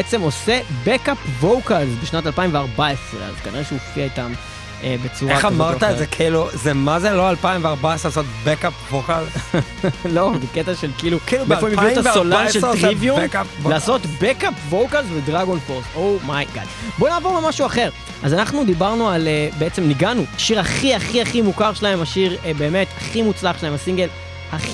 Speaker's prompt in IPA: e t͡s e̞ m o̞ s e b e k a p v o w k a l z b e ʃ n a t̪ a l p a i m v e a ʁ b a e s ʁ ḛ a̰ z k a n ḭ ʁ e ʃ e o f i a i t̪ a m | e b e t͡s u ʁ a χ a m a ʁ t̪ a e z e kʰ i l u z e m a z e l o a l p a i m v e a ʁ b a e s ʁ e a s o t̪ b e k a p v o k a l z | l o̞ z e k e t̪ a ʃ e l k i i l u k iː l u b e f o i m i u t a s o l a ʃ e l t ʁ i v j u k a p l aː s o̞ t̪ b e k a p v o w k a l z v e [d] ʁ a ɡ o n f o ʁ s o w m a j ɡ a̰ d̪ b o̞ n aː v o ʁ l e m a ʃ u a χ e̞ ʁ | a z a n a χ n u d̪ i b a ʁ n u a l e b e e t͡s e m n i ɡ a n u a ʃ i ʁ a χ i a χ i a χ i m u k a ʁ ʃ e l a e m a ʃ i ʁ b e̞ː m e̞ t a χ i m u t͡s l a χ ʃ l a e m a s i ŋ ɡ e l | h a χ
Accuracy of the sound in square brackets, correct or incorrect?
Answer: correct